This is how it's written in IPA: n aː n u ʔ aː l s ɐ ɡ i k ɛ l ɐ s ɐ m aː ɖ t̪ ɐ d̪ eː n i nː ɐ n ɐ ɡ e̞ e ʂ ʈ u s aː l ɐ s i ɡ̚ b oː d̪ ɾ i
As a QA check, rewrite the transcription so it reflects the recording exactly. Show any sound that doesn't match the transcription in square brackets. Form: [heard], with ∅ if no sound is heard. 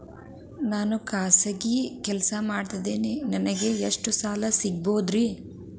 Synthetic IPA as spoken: n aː n u [k] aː [∅] s ɐ ɡ i k ɛ l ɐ s ɐ m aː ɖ t̪ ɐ d̪ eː n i [n] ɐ n ɐ ɡ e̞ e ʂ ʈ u s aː l ɐ s i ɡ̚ b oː d̪ ɾ i